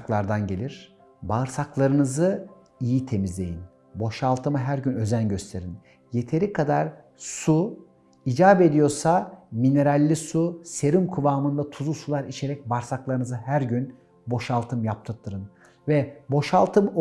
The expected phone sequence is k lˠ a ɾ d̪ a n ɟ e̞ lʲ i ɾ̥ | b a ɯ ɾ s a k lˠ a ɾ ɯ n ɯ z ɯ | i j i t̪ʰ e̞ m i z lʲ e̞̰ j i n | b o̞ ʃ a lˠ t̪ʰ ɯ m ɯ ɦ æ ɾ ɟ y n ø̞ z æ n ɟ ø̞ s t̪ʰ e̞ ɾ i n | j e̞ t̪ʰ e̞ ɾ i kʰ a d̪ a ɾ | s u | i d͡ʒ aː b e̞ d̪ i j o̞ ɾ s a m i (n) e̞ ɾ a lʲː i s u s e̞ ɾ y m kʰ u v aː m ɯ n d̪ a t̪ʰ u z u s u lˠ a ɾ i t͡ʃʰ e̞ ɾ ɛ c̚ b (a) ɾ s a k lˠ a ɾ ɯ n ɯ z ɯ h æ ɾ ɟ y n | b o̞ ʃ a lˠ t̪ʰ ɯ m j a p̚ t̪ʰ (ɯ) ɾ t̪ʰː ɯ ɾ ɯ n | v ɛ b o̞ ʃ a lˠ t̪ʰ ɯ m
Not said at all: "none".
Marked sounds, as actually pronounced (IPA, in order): n, a, ɯ

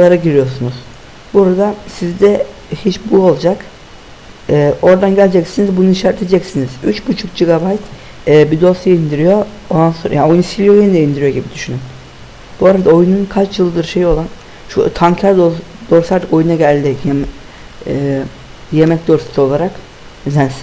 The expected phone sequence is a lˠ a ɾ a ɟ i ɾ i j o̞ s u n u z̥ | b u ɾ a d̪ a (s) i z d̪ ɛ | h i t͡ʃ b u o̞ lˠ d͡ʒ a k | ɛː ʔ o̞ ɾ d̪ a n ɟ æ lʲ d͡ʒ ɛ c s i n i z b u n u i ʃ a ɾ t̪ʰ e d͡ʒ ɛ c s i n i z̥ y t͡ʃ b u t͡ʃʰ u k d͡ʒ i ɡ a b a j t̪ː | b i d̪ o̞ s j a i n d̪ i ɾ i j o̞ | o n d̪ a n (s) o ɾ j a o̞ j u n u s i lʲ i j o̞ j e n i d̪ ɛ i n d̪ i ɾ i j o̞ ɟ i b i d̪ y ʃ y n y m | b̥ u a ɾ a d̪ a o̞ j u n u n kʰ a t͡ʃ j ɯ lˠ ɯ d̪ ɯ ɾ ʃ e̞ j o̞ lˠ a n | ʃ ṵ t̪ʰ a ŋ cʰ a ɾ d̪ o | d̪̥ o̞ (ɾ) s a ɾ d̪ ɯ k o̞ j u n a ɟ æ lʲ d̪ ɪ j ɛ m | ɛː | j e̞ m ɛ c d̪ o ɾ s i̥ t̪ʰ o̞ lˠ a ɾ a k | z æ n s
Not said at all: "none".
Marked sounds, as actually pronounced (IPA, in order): s, s, ɾ

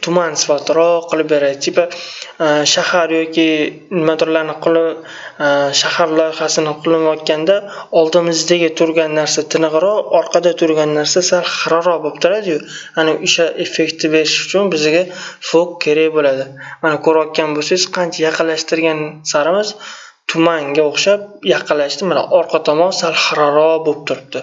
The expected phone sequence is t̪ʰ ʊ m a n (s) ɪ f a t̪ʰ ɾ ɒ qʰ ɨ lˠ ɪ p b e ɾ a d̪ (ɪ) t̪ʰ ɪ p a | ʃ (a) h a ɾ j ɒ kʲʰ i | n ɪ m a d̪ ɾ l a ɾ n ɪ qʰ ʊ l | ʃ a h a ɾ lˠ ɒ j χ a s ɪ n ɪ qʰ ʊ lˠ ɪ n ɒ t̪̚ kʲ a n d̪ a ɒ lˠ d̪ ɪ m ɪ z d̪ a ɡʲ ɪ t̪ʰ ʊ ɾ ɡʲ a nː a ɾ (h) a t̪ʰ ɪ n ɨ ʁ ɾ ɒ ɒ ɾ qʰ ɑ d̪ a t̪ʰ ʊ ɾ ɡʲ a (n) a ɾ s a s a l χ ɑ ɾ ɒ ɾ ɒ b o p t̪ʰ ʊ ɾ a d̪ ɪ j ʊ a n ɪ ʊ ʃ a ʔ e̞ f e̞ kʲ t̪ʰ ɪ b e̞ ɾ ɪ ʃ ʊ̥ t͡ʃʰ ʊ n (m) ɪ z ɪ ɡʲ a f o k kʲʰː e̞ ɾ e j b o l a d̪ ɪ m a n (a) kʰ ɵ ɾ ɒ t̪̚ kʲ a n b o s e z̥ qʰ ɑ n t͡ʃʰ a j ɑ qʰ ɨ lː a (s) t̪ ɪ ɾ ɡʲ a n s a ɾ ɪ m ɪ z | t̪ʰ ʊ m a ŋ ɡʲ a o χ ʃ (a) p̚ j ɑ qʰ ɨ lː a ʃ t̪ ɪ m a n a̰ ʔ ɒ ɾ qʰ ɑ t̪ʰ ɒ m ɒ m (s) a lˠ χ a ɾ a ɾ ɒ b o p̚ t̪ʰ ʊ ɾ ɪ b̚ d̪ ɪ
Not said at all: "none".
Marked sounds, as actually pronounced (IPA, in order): s, ɪ, a, s, nː, b, a, ʃ, a, s

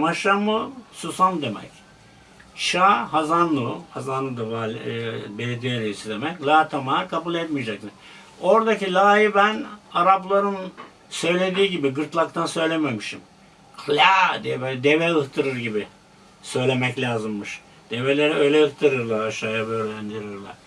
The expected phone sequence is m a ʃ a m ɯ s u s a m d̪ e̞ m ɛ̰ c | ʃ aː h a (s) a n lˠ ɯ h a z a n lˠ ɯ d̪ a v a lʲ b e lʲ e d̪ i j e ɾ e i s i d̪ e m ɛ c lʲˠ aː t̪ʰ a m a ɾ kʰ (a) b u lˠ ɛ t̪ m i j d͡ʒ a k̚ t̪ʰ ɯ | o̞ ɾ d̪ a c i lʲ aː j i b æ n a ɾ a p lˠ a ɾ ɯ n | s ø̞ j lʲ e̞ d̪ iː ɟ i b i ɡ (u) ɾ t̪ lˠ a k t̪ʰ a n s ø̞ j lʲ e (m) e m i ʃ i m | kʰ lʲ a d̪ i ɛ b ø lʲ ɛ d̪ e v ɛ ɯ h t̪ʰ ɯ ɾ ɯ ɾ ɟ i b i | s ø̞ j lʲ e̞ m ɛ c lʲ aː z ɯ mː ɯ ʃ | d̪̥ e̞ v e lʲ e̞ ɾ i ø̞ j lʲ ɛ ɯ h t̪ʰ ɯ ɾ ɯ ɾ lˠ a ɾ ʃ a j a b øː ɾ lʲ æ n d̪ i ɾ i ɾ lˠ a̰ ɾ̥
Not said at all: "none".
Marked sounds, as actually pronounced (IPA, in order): z, a, ɯ, m

